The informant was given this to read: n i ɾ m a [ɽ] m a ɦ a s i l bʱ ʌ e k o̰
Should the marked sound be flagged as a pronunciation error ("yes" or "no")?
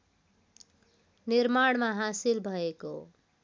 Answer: no